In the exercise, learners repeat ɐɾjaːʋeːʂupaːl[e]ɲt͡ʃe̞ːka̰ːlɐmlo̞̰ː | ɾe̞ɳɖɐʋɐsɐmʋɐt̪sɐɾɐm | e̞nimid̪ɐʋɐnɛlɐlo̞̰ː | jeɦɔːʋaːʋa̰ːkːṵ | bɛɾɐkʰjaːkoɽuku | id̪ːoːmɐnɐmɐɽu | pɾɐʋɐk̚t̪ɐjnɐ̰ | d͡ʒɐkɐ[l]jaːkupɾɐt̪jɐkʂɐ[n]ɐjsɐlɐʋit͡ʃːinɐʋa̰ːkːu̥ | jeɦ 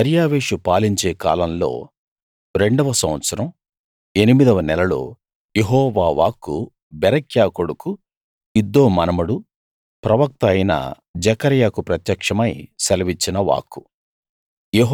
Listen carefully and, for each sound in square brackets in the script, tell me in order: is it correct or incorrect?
incorrect, incorrect, incorrect

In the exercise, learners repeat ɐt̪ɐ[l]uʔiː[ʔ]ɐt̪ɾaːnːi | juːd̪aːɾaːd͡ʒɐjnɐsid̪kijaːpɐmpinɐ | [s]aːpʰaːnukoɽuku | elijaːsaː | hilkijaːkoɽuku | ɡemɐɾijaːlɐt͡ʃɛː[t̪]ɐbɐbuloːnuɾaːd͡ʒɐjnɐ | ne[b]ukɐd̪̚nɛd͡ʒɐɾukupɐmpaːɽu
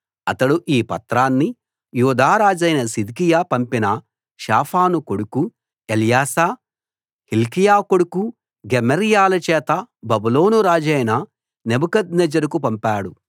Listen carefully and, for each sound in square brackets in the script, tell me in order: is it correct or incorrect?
incorrect, incorrect, incorrect, correct, correct

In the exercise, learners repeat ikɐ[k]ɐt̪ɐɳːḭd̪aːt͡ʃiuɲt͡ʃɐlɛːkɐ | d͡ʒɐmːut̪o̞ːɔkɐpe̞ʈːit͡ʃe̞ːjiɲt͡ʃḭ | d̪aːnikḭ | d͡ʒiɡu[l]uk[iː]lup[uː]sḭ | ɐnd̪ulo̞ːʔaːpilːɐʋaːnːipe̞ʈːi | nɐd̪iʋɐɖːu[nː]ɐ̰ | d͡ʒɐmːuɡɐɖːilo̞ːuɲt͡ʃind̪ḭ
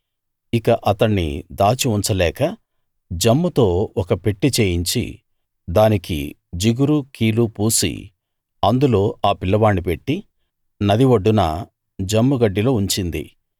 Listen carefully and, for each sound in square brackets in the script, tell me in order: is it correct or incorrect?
incorrect, incorrect, correct, correct, incorrect

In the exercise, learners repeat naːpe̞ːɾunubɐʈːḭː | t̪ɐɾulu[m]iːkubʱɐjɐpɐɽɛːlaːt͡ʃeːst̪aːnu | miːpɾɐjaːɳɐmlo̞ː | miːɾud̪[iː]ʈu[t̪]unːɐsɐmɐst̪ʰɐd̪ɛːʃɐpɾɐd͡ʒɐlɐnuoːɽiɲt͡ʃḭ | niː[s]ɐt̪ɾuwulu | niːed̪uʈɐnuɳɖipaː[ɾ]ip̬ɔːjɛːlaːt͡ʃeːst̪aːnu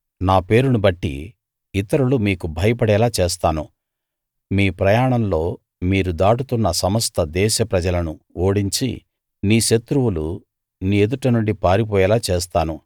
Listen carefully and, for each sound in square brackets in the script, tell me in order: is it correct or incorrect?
correct, incorrect, correct, incorrect, correct

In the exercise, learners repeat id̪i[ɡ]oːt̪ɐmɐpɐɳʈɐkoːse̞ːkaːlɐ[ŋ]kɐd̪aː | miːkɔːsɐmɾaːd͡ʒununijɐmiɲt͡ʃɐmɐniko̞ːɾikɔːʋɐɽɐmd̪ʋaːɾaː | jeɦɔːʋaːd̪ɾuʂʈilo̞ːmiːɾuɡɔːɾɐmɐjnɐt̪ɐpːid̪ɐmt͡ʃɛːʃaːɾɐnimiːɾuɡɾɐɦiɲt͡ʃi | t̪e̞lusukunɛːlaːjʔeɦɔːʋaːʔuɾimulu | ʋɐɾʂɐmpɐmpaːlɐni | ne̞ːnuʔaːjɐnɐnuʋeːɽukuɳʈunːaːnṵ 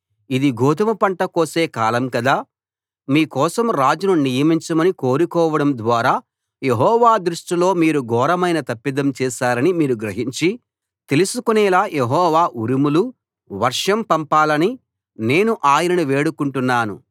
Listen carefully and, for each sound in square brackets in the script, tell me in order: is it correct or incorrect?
correct, incorrect

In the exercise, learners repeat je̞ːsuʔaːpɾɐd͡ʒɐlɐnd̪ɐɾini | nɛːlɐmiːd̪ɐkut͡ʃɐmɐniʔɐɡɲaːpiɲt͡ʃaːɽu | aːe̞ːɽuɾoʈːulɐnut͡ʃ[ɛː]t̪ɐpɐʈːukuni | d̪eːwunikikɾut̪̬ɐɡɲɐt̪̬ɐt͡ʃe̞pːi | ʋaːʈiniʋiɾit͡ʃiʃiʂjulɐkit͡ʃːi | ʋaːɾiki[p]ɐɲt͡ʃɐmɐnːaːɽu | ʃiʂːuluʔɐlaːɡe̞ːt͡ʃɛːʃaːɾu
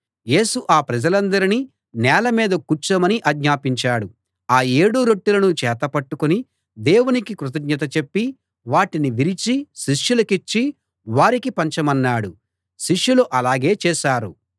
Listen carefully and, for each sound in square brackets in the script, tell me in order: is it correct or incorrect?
correct, correct

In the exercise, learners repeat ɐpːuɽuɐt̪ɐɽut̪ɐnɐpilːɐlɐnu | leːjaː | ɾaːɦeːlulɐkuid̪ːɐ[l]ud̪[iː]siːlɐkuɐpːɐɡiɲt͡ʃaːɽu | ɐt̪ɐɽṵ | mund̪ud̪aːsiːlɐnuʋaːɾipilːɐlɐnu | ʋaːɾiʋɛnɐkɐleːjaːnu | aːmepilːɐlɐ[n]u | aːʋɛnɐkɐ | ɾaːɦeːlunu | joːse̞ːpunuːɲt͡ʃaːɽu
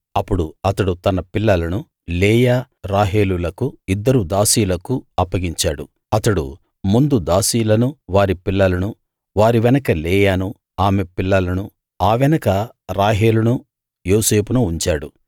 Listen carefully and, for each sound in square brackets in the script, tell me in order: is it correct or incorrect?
incorrect, incorrect, correct

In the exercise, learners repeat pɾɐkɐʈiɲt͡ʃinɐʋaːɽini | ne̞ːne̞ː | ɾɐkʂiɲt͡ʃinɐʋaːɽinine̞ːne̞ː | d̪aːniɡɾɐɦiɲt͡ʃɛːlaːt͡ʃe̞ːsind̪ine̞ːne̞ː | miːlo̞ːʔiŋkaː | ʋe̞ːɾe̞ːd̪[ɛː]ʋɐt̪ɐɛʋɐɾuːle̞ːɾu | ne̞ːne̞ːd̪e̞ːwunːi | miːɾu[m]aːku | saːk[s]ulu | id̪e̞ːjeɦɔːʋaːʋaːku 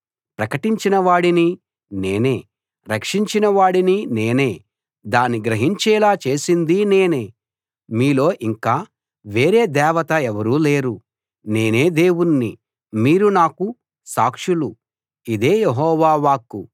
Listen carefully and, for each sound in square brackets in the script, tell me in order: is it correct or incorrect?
correct, incorrect, incorrect

